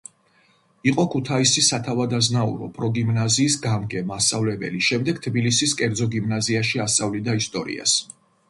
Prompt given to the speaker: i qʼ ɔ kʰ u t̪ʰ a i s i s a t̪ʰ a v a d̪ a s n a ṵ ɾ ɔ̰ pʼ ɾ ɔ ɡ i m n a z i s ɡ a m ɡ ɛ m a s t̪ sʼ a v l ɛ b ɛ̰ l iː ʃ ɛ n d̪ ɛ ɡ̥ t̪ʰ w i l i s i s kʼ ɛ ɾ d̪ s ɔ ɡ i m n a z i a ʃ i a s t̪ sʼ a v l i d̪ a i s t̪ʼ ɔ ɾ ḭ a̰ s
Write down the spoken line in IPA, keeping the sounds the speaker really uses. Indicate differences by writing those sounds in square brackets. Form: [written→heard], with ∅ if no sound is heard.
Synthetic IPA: i qʼ ɔ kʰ u t̪ʰ a i s i s a t̪ʰ a v a d̪ a [s→z] n a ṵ ɾ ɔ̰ pʼ ɾ ɔ ɡ i m n a z [i→iː] s ɡ a m ɡ ɛ m a s t̪ sʼ a v l ɛ b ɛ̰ l [iː→i] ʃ ɛ [n→m] d̪ ɛ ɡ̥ t̪ʰ [w→b] i l i s i s kʼ ɛ ɾ d̪ [s→z] ɔ ɡ i m n a z i a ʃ i a s t̪ sʼ a v l i d̪ a i s t̪ʼ ɔ ɾ ḭ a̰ s